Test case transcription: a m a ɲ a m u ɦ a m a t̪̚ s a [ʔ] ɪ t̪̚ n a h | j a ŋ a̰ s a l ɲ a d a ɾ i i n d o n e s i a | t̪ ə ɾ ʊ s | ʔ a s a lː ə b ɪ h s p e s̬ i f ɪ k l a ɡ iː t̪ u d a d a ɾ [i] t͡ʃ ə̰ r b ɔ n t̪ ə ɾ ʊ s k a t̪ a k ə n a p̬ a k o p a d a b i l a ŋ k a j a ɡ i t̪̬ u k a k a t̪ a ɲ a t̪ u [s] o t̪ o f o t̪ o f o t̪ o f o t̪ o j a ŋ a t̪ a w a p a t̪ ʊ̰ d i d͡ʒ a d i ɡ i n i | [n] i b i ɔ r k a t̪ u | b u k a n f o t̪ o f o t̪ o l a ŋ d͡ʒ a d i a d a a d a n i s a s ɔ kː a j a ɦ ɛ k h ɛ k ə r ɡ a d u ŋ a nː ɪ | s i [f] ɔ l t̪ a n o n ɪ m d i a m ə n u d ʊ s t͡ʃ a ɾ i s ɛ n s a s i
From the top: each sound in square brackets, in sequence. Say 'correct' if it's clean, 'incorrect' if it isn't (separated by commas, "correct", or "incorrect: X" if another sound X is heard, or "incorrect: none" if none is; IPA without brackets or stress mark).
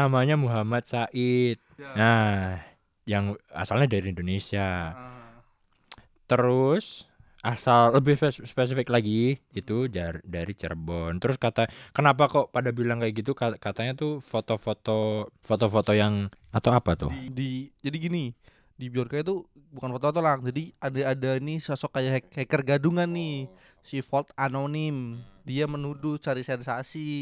correct, correct, incorrect: f, incorrect: d, correct